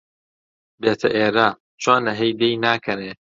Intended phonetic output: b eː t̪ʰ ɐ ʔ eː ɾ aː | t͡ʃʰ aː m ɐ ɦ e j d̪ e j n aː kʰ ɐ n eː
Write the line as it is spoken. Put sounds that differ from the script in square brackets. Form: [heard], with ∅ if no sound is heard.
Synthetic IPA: b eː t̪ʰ ɐ ʔ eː ɾ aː | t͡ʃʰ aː [n] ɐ ɦ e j d̪ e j n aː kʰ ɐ n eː